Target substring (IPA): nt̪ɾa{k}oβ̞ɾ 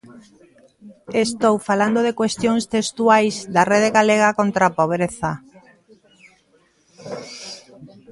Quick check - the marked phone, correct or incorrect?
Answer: incorrect